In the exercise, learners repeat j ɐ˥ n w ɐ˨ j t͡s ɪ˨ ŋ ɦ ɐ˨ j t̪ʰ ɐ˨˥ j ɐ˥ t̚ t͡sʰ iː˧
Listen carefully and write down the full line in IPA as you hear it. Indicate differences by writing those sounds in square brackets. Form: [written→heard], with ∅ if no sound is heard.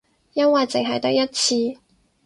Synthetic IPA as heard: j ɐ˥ n w ɐ˨ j t͡s ɪ˨ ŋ ɦ ɐ˨ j [t̪ʰ→t̪] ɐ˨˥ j ɐ˥ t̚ t͡sʰ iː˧